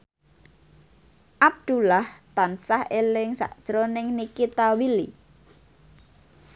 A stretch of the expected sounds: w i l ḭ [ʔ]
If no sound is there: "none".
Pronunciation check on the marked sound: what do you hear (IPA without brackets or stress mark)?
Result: none